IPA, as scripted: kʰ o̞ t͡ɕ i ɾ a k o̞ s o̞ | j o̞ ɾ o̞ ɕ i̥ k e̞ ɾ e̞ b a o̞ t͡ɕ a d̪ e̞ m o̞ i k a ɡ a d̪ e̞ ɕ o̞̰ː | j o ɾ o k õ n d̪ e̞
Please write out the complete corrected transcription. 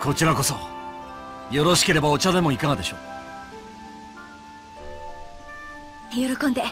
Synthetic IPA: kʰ o̞ t͡ɕ i ɾ a k o̞ s o̞ | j o̞ ɾ o̞ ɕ i̥ k e̞ ɾ e̞ b a o̞ t͡ɕ a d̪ e̞ m o̞ i k a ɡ a d̪ e̞ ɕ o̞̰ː | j o ɾ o k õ n d̪ e̞